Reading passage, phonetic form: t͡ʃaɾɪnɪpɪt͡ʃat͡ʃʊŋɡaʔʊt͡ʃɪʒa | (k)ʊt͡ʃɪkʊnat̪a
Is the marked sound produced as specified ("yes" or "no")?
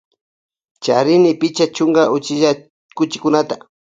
yes